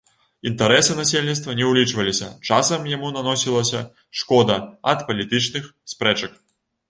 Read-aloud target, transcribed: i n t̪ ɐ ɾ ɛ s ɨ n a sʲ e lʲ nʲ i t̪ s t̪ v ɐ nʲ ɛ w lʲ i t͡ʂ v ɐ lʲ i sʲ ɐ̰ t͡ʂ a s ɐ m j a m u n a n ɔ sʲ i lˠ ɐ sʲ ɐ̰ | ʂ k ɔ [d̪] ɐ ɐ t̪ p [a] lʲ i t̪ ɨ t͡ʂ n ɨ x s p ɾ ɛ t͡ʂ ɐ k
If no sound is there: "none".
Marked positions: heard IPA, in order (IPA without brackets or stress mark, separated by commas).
d̪, ɐ